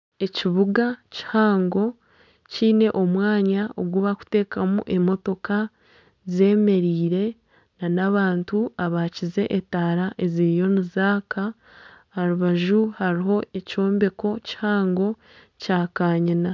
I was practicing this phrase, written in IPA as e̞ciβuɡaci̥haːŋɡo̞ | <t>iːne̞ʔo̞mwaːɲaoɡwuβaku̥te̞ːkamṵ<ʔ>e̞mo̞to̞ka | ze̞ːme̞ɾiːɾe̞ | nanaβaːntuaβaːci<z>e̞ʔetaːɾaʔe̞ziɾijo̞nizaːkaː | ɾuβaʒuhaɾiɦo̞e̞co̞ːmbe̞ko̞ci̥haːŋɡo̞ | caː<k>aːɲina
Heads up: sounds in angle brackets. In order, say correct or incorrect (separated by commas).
incorrect, correct, correct, correct